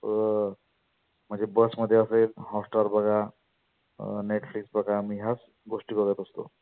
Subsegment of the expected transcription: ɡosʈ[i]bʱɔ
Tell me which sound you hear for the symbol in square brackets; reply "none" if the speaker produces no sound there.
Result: i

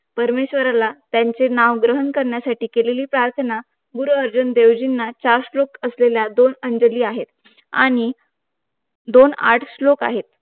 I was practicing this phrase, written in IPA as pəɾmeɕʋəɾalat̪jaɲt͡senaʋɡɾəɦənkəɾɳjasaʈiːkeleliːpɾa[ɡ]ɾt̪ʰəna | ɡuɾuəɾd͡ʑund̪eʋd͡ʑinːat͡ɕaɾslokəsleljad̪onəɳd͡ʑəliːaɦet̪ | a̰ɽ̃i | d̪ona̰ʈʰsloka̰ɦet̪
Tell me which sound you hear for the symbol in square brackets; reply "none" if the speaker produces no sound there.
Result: none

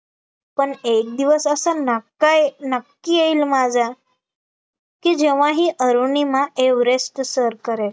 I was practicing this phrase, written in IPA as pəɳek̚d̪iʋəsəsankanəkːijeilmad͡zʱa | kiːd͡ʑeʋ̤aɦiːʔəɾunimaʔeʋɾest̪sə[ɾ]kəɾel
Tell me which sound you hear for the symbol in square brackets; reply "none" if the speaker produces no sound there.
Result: ɾ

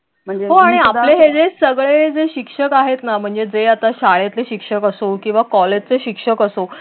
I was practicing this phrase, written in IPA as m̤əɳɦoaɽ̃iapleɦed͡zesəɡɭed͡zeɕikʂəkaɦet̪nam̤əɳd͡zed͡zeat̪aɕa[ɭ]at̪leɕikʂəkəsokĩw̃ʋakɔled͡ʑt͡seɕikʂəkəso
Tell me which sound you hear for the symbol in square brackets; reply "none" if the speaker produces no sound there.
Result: ɭ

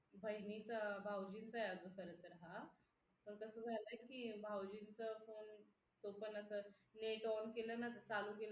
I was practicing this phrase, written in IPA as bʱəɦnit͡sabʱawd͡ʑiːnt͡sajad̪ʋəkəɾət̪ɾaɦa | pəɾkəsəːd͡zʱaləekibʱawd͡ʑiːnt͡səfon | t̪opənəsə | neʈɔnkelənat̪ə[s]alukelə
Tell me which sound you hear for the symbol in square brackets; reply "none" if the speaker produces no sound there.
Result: t͡s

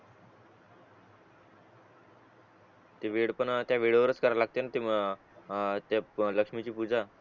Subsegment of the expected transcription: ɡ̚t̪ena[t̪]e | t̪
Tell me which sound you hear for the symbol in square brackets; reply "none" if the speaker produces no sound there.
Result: t̪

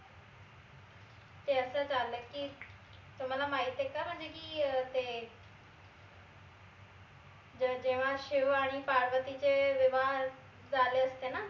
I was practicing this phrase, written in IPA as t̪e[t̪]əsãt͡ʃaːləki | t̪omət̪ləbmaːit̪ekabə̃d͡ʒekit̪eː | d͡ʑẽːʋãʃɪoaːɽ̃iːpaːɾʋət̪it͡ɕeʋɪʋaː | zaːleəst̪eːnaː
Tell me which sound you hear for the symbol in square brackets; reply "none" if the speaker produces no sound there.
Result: none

